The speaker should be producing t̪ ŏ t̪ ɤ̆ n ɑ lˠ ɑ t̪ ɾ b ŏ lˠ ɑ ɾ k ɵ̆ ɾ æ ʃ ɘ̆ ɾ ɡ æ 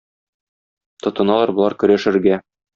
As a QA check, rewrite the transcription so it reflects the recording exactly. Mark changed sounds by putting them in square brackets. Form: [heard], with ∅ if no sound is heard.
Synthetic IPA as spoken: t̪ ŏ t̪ ɤ̆ n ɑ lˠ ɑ [∅] ɾ b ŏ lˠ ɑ ɾ k ɵ̆ ɾ æ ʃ ɘ̆ ɾ ɡ æ